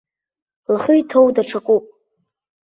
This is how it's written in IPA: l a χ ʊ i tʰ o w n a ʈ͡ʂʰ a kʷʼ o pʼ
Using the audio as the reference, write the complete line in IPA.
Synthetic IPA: l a χ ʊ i tʰ o w d a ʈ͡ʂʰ a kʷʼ u pʼ